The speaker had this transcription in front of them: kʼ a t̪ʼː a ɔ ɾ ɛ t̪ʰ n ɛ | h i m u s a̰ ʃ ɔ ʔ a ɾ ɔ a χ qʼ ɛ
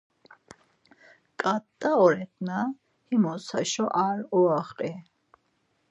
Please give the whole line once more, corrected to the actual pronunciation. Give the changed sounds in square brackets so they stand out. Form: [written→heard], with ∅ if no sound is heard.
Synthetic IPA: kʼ a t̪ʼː a ɔ ɾ ɛ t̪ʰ n [ɛ→a] | h i m [u→ɔ] s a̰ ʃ ɔ ʔ a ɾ ɔ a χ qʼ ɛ